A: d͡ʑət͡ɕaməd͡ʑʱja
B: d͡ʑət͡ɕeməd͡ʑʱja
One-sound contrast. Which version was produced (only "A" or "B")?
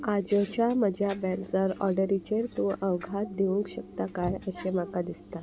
A